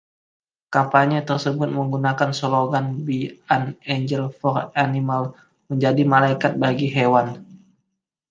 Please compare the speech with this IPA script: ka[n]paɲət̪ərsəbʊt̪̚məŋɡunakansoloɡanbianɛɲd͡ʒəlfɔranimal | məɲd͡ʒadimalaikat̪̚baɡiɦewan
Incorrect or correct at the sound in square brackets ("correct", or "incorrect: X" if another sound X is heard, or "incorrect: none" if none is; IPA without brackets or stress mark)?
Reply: incorrect: m